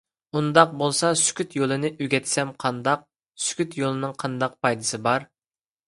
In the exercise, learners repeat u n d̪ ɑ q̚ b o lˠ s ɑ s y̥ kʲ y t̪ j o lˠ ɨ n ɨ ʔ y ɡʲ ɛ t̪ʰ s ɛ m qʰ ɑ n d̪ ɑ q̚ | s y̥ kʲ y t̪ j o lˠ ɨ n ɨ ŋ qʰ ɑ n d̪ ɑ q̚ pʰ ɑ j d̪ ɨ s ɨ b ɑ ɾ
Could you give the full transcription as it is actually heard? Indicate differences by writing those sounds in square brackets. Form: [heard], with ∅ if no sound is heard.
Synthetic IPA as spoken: u n d̪ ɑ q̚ b o lˠ s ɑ s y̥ kʲ y t̪ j o lˠ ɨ n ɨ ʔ y ɡʲ ɛ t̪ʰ s ɛ m qʰ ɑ n d̪ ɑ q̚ | s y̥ kʲ y t̪ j o lˠ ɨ n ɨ ŋ qʰ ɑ n d̪ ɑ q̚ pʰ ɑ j d̪ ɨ s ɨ b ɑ ɾ